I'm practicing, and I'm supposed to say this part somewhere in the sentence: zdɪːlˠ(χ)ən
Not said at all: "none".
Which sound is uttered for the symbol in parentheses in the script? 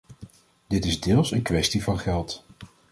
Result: s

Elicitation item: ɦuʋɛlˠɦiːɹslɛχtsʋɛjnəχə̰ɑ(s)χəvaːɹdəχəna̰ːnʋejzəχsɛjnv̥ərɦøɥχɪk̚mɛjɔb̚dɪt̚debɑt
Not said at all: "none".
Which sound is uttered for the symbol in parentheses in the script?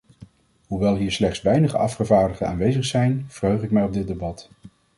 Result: f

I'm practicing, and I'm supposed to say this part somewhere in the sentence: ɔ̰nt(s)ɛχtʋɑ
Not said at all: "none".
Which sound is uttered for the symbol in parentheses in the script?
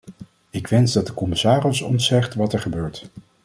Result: s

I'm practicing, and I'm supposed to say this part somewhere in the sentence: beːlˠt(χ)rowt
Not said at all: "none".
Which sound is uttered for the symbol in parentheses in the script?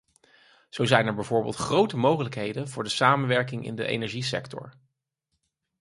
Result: χ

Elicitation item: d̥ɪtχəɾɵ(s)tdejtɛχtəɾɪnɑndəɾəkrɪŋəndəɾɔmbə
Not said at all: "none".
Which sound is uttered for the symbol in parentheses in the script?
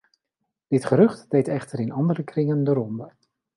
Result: χ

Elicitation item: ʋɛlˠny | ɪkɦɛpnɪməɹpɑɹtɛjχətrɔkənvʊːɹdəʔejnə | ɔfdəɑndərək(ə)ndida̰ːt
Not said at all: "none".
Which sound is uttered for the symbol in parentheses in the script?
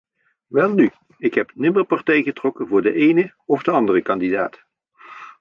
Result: ɑ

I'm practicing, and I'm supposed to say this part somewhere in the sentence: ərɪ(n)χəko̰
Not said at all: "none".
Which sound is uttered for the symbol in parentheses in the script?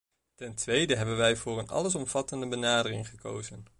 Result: ŋ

